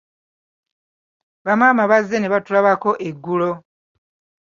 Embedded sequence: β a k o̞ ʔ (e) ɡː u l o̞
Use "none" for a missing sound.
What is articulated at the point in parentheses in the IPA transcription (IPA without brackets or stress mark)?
e